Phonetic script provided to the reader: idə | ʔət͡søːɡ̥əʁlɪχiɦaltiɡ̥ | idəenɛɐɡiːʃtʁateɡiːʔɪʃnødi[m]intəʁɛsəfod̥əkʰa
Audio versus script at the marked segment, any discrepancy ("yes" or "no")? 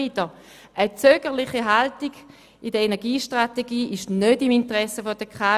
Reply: no